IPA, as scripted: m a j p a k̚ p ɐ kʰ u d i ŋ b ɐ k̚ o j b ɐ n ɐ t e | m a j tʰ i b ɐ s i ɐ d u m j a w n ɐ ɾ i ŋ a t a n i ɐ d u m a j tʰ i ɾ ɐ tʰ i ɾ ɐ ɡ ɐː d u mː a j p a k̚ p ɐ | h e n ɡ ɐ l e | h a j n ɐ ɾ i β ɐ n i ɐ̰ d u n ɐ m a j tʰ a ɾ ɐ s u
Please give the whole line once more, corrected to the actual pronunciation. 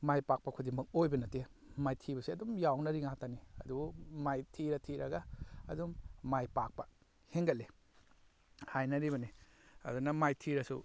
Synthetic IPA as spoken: m a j p a k̚ p ɐ kʰ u d i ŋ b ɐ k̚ o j b ɐ n ɐ t e | m a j tʰ i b ɐ s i ɐ d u m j a w n ɐ ɾ i ŋ a t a n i ɐ d u m a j tʰ i ɾ ɐ tʰ i ɾ ɐ ɡ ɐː d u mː a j p a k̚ p ɐ | h e ŋ ɡ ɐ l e | h a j n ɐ ɾ i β ɐ n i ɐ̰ d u n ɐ m a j tʰ i ɾ ɐ s u